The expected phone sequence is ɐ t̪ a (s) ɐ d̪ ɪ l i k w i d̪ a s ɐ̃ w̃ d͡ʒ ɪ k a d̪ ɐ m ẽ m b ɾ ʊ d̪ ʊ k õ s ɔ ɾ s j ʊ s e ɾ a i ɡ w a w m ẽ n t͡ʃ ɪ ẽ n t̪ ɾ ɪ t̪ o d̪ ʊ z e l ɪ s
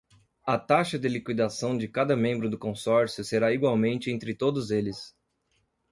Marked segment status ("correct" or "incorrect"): incorrect